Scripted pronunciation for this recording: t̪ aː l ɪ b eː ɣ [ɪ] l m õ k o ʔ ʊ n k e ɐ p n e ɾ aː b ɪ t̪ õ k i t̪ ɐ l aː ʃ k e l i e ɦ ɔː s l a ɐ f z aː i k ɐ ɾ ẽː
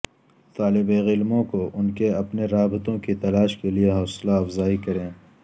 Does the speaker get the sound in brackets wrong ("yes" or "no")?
no